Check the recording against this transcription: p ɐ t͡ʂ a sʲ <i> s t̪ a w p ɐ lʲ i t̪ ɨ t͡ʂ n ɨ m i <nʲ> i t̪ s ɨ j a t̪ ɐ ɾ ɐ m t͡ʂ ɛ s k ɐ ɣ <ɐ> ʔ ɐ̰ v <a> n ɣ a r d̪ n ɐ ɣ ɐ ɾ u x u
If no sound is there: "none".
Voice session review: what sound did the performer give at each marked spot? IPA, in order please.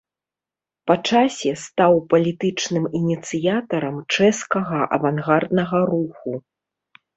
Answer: ɛ, nʲ, ɐ, a

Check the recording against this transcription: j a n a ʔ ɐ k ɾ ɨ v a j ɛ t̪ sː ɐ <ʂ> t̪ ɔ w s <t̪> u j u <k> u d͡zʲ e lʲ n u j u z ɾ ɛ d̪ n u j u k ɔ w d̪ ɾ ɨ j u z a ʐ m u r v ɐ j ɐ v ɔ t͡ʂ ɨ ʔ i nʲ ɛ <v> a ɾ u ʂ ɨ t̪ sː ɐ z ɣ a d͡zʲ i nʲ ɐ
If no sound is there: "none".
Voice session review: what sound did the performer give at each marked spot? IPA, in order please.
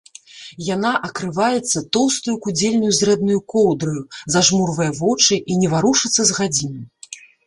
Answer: none, t̪, k, v

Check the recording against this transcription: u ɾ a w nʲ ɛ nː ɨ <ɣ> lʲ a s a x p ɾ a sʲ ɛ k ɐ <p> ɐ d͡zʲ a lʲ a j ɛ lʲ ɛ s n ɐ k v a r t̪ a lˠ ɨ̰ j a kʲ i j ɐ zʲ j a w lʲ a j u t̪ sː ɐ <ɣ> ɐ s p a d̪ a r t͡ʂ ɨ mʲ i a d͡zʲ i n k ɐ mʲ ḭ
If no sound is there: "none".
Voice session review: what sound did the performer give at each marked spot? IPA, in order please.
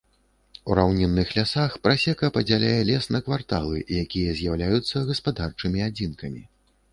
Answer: x, p, ɣ

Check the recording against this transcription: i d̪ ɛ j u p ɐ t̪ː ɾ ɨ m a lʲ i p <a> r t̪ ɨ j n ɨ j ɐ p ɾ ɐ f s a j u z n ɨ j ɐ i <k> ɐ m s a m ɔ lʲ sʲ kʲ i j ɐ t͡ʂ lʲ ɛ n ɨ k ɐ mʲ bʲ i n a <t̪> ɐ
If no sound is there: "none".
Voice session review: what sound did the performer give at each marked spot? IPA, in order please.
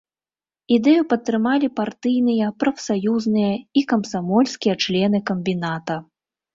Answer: a, k, t̪

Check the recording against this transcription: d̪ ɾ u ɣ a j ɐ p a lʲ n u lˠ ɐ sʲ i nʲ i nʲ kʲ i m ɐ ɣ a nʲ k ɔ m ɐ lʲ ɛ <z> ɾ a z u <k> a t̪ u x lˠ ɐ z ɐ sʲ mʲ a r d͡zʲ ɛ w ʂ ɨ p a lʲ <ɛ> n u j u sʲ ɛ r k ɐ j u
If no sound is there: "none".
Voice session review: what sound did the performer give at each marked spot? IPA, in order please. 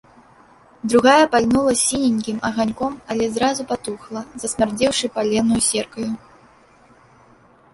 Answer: z, p, ɛ

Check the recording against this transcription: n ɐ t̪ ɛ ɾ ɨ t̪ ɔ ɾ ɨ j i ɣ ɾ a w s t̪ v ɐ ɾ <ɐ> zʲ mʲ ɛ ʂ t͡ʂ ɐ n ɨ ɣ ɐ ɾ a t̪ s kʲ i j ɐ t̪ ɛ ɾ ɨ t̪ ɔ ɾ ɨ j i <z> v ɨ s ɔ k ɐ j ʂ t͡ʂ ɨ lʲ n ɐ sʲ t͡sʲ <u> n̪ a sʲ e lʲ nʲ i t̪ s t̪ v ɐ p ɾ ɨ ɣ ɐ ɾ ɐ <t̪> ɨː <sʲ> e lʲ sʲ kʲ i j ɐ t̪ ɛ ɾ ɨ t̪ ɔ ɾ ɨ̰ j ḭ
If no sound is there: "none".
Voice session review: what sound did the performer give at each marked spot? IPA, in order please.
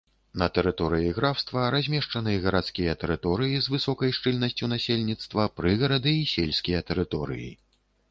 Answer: a, z, u, d̪, sʲ

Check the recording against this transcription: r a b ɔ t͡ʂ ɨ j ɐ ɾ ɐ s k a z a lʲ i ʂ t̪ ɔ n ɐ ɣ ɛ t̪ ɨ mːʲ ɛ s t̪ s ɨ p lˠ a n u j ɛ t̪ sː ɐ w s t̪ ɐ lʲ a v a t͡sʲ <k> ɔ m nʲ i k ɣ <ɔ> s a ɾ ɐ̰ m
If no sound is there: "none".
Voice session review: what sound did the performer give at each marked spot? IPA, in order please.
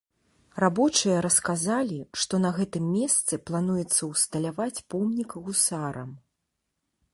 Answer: p, u

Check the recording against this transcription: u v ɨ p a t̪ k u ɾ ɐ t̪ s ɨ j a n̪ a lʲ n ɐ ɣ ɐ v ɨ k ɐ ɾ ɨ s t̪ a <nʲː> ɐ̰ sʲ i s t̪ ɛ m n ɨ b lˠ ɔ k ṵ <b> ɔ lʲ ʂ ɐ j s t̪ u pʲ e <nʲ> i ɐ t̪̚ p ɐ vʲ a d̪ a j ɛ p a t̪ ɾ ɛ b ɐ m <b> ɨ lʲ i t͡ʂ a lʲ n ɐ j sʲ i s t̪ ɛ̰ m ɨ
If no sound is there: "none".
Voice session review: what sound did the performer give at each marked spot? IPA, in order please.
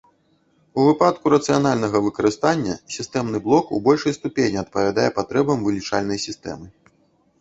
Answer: nʲː, b, nʲ, v

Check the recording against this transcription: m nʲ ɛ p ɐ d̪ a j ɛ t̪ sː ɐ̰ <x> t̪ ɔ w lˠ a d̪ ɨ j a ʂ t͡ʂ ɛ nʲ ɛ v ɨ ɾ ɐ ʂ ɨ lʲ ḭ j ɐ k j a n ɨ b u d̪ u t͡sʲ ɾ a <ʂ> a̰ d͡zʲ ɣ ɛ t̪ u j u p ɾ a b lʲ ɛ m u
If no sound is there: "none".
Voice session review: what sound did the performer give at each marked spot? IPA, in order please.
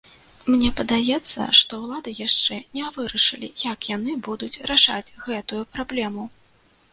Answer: ʂ, ʂ

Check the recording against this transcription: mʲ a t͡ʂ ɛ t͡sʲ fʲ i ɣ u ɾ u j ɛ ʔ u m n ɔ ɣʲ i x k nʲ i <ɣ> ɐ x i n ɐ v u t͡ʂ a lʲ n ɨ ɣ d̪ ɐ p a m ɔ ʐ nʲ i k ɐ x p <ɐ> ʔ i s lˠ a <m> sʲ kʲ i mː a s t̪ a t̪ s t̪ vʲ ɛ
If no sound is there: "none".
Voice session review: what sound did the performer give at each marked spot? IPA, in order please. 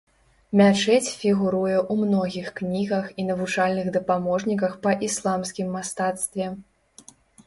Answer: ɣ, ɐ, m

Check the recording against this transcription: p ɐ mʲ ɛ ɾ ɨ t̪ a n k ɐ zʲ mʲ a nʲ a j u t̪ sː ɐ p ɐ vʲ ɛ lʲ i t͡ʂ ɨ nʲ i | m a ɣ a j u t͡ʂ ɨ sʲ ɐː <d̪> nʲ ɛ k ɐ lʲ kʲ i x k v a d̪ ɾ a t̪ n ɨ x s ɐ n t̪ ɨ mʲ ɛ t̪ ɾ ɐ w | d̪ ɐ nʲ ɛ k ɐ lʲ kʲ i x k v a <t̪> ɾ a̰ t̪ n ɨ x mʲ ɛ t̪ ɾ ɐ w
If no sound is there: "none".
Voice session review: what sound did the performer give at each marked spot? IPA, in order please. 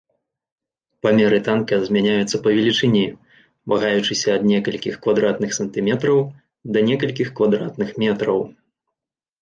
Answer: d̪, d̪

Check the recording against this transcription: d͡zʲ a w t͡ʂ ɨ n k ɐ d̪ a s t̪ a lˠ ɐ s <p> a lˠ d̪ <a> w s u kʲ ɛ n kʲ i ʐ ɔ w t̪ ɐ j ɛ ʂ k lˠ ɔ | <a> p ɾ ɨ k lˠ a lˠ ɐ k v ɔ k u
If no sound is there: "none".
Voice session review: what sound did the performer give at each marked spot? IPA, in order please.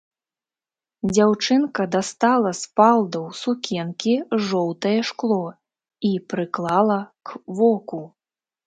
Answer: p, ɐ, i

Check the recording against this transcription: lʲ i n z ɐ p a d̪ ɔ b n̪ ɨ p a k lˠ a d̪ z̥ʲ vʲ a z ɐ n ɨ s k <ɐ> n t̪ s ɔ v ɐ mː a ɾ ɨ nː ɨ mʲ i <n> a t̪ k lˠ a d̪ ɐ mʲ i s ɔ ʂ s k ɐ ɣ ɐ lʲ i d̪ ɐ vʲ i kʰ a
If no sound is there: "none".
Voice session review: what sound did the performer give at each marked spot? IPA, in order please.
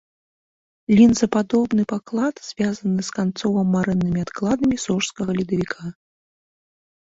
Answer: a, none

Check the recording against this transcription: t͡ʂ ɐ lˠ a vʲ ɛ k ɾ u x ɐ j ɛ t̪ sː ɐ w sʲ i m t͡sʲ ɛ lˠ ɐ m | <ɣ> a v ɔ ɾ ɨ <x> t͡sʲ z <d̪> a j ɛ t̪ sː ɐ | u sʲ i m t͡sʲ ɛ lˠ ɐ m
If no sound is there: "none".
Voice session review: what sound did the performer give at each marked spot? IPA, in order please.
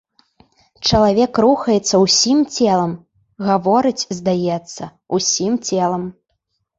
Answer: ɣ, none, d̪

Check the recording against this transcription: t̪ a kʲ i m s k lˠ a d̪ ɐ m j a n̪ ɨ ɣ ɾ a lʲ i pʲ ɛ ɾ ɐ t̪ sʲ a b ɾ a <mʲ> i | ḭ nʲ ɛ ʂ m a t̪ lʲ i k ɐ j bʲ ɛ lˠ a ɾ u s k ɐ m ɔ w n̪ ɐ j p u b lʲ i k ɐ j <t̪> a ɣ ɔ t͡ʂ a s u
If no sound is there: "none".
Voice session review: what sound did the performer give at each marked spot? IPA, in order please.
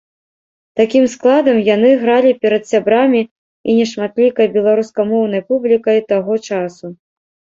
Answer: mʲ, t̪

